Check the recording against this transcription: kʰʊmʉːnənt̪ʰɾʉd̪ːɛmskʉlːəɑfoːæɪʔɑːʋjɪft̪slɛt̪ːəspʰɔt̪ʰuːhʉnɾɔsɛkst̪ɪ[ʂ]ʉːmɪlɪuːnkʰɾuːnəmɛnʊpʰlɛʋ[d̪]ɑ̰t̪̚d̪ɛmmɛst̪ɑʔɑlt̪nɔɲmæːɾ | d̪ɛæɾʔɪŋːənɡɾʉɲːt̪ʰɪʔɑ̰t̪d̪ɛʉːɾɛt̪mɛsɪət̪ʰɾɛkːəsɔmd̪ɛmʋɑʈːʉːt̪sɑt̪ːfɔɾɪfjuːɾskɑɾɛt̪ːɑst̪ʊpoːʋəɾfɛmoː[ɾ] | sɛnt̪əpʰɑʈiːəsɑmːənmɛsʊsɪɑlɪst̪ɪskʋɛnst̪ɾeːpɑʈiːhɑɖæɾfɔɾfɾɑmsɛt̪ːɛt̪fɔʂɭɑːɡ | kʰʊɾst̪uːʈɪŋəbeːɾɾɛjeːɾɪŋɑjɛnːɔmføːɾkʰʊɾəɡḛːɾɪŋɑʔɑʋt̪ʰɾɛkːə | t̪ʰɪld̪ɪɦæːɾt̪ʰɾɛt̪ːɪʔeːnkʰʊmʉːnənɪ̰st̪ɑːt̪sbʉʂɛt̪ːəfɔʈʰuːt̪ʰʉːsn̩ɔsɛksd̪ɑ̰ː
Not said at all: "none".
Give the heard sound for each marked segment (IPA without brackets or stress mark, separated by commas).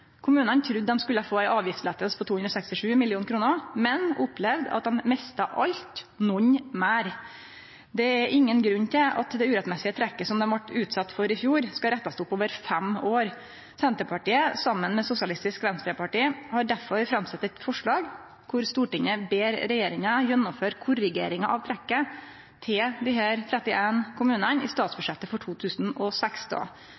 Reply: ʂ, d̪, ɾ